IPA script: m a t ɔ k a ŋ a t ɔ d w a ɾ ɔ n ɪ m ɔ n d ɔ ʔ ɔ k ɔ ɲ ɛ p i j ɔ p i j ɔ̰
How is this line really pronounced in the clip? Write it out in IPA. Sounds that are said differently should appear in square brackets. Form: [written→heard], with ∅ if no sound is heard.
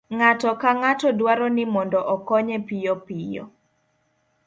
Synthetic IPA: [m→ŋ] a t ɔ k a ŋ a t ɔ d w a ɾ ɔ n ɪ m ɔ n d ɔ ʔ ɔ k ɔ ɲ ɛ p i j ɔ p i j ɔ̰

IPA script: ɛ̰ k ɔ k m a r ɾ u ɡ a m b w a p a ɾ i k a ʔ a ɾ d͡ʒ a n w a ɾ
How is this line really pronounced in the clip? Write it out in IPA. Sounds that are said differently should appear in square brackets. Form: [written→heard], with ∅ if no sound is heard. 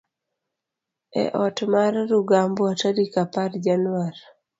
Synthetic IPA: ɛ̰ [k→ʔ] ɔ [k→t] m a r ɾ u ɡ a m b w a [p→t] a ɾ i k a [ʔ→p] a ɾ d͡ʒ a n w a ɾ

